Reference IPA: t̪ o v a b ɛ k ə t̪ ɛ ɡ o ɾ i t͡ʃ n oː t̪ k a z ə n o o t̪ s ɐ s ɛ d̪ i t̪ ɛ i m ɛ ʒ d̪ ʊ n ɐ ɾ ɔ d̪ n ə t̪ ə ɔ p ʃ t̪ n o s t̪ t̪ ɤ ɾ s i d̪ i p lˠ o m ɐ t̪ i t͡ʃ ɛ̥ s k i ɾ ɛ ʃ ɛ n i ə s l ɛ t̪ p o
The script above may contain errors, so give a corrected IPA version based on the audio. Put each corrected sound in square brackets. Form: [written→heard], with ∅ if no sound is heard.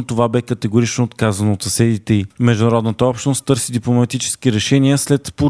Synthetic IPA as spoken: t̪ o v a b ɛ k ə t̪ ɛ ɡ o ɾ i t͡ʃ n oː t̪ k a z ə n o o t̪ s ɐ s ɛ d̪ i t̪ ɛ i m ɛ ʒ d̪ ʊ n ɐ ɾ ɔ d̪ n ə t̪ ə ɔ p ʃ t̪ n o s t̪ t̪ ɤ ɾ s i d̪ i p lˠ o m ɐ t̪ i t͡ʃ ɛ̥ s k i ɾ ɛ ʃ ɛ n i ə s l ɛ t̪ p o